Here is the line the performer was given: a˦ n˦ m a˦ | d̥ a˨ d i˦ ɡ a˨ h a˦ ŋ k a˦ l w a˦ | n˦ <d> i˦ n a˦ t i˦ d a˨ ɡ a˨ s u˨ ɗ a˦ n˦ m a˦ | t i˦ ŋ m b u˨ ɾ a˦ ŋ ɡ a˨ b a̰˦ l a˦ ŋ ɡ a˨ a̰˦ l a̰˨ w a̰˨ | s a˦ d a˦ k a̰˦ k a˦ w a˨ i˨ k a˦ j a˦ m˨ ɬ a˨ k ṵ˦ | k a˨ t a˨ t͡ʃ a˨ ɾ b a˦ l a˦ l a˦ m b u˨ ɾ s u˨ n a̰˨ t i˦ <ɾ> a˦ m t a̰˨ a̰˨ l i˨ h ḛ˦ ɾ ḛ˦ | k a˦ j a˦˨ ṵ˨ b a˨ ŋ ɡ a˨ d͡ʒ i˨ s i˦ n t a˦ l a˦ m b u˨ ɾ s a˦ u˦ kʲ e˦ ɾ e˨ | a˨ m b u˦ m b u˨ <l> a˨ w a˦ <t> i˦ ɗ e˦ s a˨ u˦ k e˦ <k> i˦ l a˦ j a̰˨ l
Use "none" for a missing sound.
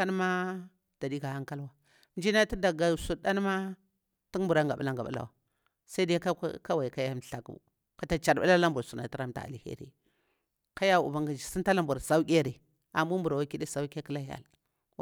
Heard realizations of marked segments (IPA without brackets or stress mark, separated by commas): d͡ʒ, ɾ, ɾ, k, k